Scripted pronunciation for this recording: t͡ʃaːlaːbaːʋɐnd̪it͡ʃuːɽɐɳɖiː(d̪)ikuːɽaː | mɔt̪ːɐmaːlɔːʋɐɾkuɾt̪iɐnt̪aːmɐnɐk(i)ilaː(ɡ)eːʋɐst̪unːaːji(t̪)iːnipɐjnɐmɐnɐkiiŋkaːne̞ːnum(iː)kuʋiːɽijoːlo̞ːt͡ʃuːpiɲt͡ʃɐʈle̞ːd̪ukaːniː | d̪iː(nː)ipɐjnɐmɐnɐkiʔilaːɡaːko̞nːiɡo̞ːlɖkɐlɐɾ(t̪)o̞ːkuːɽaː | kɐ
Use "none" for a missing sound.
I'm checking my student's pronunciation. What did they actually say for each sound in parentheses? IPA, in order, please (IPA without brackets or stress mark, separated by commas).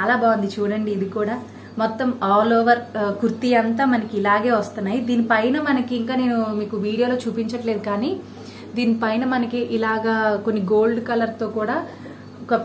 d̪, i, ɡ, d̪, iː, n, t̪